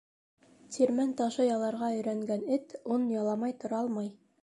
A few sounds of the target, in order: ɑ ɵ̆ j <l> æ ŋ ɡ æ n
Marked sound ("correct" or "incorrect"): incorrect